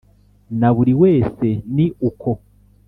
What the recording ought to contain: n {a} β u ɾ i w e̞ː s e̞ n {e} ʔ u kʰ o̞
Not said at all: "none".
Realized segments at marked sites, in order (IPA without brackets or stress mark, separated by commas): a, i